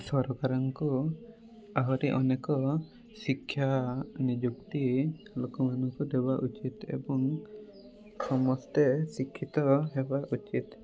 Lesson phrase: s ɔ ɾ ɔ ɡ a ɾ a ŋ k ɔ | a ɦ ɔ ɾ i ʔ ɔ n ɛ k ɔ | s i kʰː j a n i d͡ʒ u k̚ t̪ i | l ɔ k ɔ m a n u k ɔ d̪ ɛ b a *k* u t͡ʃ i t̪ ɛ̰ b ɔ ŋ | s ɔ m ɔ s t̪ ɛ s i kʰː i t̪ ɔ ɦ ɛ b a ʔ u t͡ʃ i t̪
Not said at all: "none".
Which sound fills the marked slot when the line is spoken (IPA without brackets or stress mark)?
ʔ